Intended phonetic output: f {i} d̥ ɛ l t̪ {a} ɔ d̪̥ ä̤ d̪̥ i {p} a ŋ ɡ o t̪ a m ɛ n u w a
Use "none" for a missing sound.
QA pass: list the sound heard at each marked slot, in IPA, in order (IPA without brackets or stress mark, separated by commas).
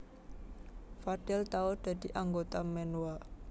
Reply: a, a, ʔ